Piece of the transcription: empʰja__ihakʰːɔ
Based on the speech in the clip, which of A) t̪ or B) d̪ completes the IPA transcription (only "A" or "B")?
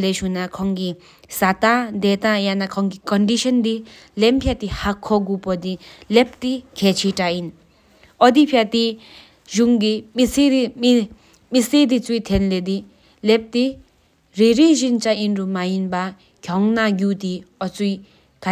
A